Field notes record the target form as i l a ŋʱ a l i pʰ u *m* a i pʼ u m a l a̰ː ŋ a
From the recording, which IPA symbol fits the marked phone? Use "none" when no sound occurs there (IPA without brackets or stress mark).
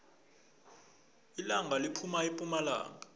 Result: m